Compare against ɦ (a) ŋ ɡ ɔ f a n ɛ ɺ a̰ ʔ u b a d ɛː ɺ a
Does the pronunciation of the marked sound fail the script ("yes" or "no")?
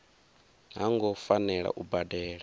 no